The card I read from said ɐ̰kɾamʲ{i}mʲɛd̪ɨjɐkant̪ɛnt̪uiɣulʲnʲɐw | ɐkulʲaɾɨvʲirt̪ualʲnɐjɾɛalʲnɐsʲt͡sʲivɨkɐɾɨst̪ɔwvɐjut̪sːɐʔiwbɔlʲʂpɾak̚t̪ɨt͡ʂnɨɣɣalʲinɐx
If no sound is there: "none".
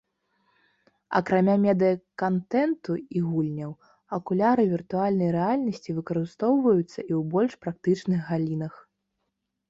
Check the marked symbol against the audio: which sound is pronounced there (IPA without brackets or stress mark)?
a